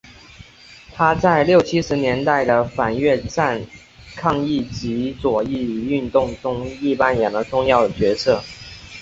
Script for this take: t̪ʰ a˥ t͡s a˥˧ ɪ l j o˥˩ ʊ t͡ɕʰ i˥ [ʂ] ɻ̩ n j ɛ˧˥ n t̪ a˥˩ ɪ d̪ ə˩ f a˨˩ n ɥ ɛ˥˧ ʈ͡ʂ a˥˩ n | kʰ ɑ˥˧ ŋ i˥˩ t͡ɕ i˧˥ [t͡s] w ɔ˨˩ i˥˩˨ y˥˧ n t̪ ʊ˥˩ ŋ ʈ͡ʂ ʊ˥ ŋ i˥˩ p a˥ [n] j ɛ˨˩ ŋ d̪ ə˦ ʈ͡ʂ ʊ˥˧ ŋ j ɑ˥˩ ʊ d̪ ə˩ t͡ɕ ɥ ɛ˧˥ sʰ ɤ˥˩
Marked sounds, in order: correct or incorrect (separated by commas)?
correct, correct, correct